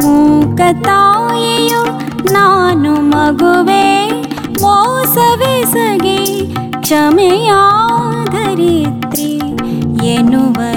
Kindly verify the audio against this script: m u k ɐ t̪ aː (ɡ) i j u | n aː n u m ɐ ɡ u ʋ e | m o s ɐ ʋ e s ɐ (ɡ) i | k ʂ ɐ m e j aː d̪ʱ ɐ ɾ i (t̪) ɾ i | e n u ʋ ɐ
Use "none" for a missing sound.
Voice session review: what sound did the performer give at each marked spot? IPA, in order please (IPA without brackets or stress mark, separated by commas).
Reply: none, ɡ, t̪